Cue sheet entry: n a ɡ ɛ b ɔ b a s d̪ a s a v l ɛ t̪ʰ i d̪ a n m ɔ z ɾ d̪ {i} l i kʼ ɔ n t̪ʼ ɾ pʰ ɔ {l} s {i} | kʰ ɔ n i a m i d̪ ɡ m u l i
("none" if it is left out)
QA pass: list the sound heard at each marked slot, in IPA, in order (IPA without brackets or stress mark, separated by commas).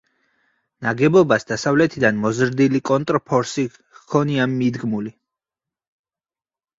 i, ɾ, i